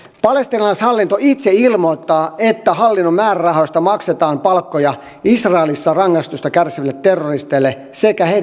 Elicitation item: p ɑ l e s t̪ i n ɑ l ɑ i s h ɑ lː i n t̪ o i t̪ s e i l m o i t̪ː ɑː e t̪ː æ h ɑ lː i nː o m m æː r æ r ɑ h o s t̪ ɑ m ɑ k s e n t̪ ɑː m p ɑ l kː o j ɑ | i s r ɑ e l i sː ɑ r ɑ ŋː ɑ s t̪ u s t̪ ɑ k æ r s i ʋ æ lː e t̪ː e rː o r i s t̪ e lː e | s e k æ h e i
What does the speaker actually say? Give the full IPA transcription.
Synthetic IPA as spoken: p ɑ l e s t̪ i n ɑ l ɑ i s h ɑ lː i n t̪ o i t̪ s e i l m o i t̪ː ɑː e t̪ː æ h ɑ lː i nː o m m æː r æ r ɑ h o s t̪ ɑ m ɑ k s e t̪ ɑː m p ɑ l kː o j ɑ | i s r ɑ e l i sː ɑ r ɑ ŋː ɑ s t̪ u s t̪ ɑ k æ r s i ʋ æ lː e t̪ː e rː o r i s t̪ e lː e | s e k æ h e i